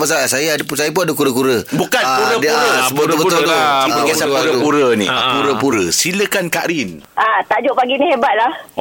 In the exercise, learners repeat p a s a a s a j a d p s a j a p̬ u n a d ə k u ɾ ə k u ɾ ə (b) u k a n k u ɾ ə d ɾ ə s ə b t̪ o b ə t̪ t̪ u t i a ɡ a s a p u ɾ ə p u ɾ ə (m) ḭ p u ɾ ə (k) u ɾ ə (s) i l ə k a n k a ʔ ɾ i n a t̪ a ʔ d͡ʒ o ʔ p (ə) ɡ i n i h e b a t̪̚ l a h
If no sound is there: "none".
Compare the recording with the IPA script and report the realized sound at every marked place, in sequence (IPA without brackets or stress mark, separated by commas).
b, n, p, s, a